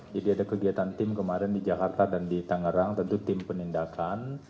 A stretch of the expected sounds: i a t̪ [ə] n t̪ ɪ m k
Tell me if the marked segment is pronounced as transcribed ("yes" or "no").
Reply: no